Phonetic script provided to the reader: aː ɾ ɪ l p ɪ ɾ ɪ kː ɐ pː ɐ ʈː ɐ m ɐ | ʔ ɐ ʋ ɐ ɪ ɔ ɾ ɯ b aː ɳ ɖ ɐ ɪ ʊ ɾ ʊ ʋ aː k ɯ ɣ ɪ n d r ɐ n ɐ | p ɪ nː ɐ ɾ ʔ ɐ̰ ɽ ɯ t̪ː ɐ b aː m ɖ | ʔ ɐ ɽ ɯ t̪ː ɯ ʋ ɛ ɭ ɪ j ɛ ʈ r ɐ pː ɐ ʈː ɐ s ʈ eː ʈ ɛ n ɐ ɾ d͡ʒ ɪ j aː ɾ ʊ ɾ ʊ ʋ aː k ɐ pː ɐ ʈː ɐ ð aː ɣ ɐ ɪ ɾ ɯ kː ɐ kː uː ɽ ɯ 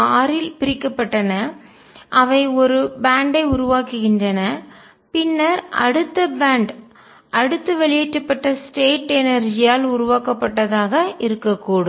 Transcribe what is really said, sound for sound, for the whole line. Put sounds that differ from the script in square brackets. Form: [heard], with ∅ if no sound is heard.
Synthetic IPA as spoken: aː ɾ ɪ l p ɪ ɾ ɪ kː ɐ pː ɐ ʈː ɐ [n] ɐ | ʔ ɐ ʋ ɐ ɪ ɔ ɾ ɯ b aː ɳ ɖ ɐ ɪ ʊ ɾ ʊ ʋ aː k ɯ ɣ ɪ n d r ɐ n ɐ | p ɪ nː ɐ ɾ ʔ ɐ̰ ɽ ɯ t̪ː ɐ b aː [ɳ] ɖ | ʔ ɐ ɽ ɯ t̪ː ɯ ʋ ɛ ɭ ɪ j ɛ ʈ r ɐ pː ɐ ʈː ɐ s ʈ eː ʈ ɛ n ɐ ɾ d͡ʒ ɪ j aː [l] ʊ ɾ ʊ ʋ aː k ɐ pː ɐ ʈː ɐ ð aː ɣ ɐ ɪ ɾ ɯ kː ɐ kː uː ɽ ɯ